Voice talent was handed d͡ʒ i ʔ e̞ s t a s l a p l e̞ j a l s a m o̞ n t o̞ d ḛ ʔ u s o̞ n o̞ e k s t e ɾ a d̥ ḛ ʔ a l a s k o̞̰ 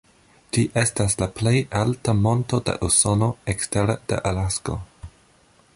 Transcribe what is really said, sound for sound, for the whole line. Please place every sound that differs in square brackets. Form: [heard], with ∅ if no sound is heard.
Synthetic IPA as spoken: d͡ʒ i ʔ e̞ s t a s l a p l e̞ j a l [t] a m o̞ n t o̞ d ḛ ʔ u s o̞ n o̞ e k s t e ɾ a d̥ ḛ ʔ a l a s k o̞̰